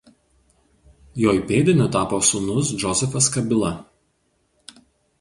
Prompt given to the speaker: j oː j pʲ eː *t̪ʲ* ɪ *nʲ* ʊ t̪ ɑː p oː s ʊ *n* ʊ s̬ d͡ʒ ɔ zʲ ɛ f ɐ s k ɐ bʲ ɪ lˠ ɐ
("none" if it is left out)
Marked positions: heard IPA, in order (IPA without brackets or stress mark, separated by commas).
d̪ʲ, nʲ, n